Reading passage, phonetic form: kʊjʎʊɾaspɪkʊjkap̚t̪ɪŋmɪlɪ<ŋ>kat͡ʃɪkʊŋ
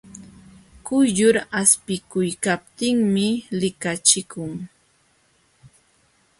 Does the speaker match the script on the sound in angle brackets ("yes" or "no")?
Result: no